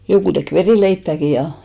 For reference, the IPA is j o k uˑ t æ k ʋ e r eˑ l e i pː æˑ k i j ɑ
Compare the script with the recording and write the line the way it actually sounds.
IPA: j o k uˑ t e k ʋ e r iˑ l e i pː æˑ k i j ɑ